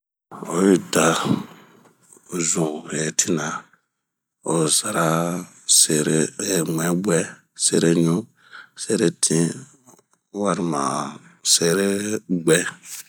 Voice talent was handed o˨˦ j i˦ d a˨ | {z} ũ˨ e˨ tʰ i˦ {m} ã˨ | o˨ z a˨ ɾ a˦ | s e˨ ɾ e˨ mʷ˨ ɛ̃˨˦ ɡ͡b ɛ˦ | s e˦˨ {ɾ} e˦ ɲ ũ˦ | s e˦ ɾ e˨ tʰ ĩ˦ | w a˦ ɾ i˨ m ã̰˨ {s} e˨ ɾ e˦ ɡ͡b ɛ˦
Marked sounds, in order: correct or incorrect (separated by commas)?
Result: correct, incorrect, correct, correct